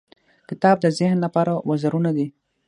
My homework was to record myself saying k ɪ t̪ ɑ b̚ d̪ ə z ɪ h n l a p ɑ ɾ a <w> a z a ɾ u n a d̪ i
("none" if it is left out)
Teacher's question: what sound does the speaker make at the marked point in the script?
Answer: w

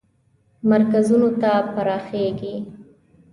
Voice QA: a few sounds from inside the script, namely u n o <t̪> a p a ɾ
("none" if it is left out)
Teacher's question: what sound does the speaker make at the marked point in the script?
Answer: t̪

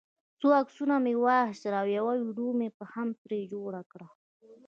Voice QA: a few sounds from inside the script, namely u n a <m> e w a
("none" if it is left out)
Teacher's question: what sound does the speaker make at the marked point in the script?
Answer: m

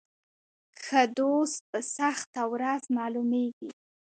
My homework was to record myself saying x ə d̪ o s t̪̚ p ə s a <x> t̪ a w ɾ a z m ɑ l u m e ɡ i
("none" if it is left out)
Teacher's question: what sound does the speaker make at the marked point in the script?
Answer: x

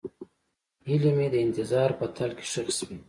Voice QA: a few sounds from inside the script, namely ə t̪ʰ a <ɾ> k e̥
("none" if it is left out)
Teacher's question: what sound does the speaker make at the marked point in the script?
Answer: l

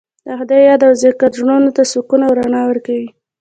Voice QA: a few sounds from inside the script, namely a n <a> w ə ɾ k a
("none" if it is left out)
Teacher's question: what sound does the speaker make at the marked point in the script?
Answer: ɑ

